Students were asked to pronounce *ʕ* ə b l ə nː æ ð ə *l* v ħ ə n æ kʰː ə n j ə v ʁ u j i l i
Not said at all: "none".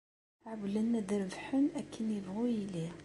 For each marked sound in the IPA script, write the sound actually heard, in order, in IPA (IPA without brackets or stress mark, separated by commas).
ʕ, ɾ